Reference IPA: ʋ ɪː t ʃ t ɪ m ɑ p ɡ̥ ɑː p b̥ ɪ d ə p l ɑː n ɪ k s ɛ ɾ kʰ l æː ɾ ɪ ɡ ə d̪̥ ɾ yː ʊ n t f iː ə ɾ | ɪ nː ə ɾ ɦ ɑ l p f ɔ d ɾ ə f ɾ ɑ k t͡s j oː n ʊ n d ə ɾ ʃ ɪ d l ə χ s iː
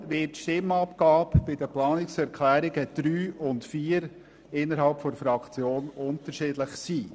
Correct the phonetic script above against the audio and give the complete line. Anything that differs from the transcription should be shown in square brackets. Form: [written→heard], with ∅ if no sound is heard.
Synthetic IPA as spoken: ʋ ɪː t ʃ t ɪ m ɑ p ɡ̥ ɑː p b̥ ɪ d ə p l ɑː n ɪ k s ɛ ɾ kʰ l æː ɾ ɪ ɡ ə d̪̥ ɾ yː ʊ n t f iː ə ɾ | ɪ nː ə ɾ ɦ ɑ l p f ɔ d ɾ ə f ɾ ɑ k t͡s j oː n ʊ n [d→t] ə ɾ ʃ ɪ d l ə χ s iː